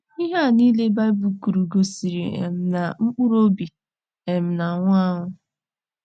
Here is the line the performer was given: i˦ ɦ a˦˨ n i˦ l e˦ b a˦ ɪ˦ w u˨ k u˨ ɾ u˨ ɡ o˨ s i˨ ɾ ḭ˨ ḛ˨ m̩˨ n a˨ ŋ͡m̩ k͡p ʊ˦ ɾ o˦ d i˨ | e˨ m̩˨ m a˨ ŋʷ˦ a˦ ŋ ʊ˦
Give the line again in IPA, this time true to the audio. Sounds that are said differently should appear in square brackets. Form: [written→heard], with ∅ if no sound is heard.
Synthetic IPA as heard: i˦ ɦ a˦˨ n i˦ l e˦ b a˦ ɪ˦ [w→b] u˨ k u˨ ɾ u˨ ɡ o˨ s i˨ ɾ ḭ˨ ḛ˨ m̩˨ n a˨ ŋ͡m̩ k͡p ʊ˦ ɾ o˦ [d→b] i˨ | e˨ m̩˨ [m→n] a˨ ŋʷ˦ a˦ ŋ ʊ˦